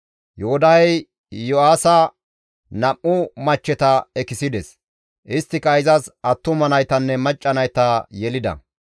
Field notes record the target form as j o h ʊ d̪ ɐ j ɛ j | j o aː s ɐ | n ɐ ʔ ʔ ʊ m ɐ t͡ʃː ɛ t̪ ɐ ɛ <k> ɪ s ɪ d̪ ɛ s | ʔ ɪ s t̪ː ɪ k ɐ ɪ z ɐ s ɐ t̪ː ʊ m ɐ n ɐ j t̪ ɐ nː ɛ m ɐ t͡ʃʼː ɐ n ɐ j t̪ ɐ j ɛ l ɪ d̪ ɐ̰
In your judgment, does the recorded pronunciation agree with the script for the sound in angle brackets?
yes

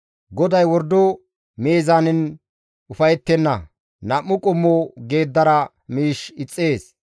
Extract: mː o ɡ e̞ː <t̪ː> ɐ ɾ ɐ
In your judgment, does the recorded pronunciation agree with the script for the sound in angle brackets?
no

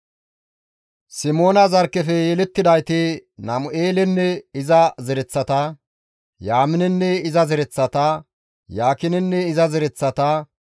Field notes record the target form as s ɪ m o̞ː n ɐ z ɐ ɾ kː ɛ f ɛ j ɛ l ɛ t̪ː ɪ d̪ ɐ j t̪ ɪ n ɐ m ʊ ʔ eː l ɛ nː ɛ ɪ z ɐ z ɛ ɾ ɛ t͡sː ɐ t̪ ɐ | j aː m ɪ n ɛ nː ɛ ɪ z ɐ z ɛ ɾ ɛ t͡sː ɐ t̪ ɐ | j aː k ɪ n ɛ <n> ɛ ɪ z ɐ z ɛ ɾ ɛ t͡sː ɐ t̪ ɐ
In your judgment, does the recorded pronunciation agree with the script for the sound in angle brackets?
no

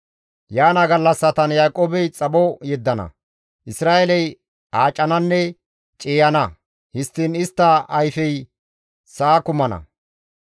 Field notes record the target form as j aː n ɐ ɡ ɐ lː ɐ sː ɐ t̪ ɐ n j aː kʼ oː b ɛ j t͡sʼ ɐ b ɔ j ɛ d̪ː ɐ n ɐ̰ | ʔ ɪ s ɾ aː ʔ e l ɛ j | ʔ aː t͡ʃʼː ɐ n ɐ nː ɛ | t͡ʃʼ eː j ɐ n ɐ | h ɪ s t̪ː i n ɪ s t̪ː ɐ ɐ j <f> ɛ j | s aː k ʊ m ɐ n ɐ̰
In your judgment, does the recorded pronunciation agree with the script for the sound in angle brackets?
yes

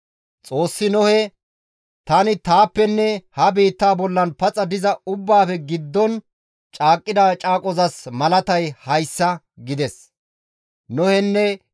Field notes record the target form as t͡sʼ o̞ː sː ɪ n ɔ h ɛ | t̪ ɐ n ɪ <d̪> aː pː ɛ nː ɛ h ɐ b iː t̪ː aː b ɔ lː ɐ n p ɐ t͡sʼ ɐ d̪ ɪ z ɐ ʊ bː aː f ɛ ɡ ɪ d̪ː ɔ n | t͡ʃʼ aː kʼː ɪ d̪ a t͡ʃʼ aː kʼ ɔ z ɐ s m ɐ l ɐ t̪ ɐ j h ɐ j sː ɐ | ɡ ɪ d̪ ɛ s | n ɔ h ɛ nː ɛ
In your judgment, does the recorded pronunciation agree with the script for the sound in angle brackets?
no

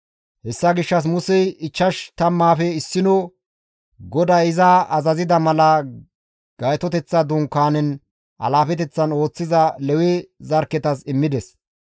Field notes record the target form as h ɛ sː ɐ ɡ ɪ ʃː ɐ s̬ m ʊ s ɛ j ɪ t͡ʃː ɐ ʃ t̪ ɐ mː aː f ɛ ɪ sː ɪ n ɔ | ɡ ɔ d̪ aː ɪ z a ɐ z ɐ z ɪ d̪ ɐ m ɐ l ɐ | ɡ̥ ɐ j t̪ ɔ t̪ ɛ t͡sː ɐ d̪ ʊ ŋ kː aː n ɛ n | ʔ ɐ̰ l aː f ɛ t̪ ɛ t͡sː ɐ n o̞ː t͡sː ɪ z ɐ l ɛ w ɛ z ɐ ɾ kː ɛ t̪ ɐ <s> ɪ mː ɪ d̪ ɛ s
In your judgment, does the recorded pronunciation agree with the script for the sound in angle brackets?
yes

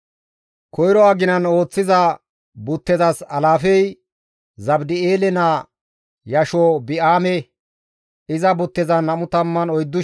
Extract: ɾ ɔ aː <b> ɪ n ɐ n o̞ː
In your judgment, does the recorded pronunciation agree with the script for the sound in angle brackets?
no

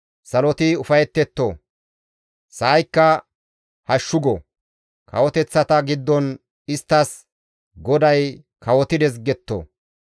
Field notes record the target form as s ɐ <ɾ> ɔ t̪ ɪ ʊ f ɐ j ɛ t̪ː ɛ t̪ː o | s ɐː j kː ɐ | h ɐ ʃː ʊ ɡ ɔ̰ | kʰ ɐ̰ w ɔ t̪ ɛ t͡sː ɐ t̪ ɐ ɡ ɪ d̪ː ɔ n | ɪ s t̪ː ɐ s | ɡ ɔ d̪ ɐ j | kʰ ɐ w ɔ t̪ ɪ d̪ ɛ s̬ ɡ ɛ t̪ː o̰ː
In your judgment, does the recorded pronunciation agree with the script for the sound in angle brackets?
no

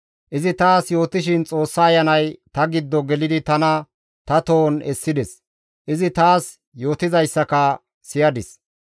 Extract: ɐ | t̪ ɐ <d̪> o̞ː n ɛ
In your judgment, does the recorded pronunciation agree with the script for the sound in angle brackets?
no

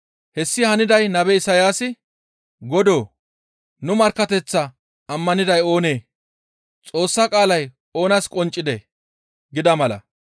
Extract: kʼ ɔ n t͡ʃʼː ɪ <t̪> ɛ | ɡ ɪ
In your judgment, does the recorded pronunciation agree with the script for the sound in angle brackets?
no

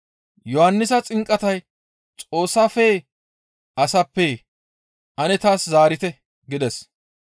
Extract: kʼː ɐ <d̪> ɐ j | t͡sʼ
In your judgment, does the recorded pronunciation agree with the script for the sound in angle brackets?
no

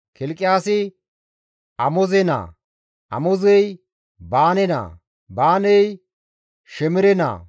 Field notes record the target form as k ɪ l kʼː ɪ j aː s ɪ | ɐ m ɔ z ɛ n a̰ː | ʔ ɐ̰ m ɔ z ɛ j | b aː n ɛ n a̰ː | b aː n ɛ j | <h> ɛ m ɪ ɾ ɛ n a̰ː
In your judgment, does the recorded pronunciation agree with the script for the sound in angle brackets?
no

